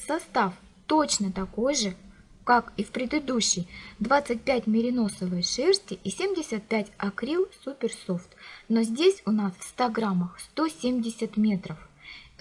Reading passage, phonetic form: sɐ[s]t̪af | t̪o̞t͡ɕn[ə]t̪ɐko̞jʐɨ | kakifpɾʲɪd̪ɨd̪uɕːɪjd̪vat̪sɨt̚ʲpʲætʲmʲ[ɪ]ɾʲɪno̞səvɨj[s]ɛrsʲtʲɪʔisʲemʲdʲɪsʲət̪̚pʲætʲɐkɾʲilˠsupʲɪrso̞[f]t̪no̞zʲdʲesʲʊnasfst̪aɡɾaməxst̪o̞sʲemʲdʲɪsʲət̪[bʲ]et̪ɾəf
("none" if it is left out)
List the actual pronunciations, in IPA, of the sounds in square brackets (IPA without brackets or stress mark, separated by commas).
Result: s, ə, ɪ, ʂ, f, mʲ